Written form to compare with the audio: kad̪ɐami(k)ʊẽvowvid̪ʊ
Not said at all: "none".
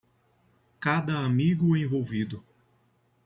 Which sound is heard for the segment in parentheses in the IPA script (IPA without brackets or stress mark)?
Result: ɡ